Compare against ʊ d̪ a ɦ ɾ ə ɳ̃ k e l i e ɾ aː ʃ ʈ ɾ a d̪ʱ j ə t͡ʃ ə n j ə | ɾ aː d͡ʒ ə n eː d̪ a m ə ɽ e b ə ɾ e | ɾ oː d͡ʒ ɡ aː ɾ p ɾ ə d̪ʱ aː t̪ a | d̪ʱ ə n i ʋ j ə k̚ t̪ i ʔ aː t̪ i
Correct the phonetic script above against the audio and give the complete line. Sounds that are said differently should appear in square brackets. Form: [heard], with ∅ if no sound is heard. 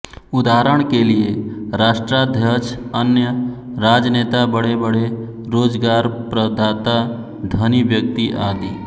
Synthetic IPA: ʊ d̪ a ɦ ɾ ə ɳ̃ k e l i e ɾ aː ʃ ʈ ɾ a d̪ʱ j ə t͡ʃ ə n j ə | ɾ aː d͡ʒ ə n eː [t̪] a [b] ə ɽ e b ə [ɽ] e | ɾ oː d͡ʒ ɡ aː ɾ p ɾ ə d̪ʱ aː t̪ a | d̪ʱ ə n i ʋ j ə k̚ t̪ i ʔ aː [d̪] i